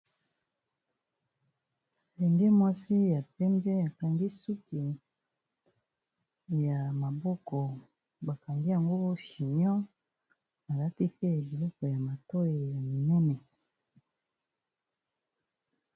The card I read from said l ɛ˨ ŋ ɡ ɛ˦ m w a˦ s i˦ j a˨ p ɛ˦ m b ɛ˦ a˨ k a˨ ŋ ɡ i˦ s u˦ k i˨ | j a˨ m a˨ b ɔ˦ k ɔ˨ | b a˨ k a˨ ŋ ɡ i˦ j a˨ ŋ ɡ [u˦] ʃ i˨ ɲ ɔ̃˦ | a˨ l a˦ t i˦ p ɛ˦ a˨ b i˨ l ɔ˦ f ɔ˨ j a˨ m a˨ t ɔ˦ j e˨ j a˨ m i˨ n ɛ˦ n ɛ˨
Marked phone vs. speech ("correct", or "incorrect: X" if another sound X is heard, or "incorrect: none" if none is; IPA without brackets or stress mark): incorrect: o˦